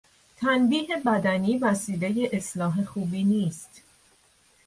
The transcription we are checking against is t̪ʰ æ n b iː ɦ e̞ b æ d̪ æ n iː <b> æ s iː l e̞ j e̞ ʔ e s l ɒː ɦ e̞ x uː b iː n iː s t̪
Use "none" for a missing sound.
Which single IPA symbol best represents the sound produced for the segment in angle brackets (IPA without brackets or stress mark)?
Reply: v